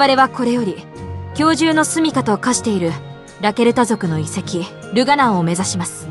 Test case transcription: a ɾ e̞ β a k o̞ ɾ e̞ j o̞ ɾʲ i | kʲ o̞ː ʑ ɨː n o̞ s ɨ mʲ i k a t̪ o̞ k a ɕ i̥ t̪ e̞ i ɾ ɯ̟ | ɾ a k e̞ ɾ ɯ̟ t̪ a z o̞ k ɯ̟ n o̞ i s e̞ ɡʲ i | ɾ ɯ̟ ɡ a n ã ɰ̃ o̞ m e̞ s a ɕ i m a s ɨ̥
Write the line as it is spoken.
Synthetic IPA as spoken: a ɾ e̞ β a k o̞ ɾ e̞ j o̞ ɾʲ i | kʲ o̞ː ʑ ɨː n o̞ s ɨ mʲ i k a t̪ o̞ k a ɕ i̥ t̪ e̞ i ɾ ɯ̟ | ɾ a k e̞ ɾ ɯ̟ t̪ a z o̞ k ɯ̟ n o̞ i s e̞ kʲ i | ɾ ɯ̟ ɡ a n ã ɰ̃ o̞ m e̞ z a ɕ i m a s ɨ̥